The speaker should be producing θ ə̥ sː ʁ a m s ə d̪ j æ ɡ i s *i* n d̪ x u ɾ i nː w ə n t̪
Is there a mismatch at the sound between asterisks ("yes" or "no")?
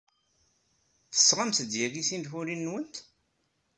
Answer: no